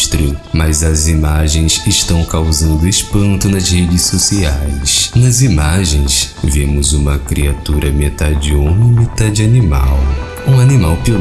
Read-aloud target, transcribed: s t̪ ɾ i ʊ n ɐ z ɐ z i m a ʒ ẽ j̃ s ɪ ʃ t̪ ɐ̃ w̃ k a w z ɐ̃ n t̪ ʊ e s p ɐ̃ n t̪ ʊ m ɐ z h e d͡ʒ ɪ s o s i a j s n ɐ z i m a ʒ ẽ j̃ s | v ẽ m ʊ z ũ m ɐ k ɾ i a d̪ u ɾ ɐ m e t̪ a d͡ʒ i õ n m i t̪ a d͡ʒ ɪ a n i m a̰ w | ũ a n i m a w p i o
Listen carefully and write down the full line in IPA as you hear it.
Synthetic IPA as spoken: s t̪ ɾ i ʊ m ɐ z ɐ z i m a ʒ ẽ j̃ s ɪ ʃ t̪ ɐ̃ w̃ k a w z ɐ̃ n d̪ ʊ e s p ɐ̃ n t̪ ʊ n ɐ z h e d͡ʒ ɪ s o s i a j s n ɐ z i m a ʒ ẽ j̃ s | v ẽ m ʊ z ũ m ɐ k ɾ i a t̪ u ɾ ɐ m e t̪ a d͡ʒ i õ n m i t̪ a d͡ʒ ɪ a n i m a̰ w | ũ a n i m a w p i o